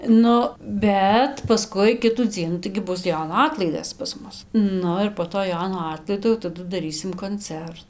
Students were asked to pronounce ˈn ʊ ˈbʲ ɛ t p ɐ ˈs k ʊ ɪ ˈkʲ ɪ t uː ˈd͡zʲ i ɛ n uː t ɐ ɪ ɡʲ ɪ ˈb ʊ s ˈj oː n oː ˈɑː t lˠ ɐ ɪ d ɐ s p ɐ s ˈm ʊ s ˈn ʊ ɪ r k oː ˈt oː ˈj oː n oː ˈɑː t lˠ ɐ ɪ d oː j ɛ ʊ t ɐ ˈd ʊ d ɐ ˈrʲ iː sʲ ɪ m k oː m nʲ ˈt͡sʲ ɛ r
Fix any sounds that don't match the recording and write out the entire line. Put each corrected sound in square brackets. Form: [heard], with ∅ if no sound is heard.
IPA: ˈn ʊ ˈbʲ ɛ t p ɐ ˈs k ʊ ɪ ˈkʲ ɪ t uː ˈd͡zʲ i ɛ n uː t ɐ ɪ ɡʲ ɪ ˈb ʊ s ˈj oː n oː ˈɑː t lˠ ɐ ɪ d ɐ s p ɐ s ˈm ʊ s ˈn ʊ ɪ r [p] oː ˈt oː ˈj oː n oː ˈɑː t lˠ ɐ ɪ d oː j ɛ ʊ t ɐ ˈd ʊ d ɐ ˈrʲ iː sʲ ɪ m k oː [∅] nʲ ˈt͡sʲ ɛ r